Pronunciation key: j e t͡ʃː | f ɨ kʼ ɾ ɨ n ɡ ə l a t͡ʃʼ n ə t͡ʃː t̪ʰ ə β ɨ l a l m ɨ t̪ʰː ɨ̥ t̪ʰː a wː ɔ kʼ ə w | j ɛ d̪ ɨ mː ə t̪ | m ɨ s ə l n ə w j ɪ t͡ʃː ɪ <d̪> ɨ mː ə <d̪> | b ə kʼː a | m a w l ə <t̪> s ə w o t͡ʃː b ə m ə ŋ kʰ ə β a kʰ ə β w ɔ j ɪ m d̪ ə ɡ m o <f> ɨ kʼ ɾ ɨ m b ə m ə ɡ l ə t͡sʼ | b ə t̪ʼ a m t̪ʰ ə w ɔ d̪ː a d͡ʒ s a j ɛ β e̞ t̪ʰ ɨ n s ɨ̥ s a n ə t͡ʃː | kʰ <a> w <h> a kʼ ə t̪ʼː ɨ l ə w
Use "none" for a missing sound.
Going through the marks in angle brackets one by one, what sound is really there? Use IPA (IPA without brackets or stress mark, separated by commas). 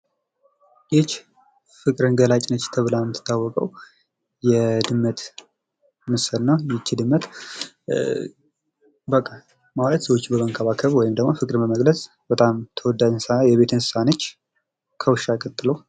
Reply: d̪, t̪, t̪, f, ə, ʃ